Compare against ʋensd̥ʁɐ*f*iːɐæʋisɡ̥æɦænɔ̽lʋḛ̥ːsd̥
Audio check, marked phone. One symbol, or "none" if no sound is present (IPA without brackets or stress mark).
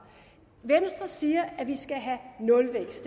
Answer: s